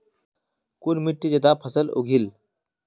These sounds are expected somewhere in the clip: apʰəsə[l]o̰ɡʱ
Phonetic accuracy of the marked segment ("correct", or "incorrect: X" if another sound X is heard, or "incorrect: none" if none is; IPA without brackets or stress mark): correct